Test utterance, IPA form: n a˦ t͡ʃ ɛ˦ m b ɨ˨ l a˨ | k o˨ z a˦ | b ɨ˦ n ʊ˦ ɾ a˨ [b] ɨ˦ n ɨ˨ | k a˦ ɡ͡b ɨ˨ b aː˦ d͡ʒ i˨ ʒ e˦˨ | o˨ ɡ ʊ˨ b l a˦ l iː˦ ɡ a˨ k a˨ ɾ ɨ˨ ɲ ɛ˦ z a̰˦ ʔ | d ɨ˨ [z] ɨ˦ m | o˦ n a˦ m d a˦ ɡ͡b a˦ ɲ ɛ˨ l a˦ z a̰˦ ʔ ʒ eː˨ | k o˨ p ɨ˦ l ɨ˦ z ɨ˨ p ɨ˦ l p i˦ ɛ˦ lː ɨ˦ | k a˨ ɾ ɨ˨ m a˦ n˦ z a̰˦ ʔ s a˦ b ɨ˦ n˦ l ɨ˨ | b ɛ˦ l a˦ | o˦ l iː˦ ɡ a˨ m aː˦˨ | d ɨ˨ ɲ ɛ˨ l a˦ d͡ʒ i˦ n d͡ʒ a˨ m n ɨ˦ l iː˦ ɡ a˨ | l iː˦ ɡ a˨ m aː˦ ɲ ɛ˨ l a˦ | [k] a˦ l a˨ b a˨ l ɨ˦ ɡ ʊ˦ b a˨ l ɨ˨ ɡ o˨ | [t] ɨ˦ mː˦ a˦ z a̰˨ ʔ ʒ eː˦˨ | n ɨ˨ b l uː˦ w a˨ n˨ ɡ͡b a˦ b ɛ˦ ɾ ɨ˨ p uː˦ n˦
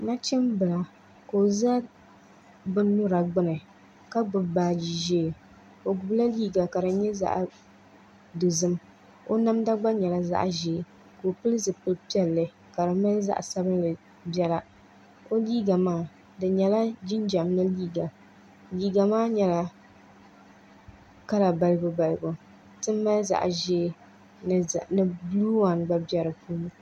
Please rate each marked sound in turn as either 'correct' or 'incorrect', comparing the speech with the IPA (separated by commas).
incorrect, correct, correct, correct